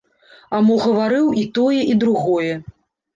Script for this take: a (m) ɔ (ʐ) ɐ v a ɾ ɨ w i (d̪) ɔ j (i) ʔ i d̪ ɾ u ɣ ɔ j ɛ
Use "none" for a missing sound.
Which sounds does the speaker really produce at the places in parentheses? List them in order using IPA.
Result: m, ɣ, t̪, ɛ

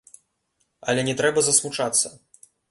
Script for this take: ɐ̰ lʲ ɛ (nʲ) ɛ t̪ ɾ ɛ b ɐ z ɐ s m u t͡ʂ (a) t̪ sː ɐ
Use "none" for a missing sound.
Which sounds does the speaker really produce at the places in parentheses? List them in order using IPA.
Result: nʲ, a

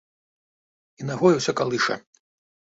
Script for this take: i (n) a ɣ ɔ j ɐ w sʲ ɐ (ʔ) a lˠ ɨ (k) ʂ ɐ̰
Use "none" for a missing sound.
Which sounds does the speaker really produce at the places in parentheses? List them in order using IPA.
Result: n, k, none

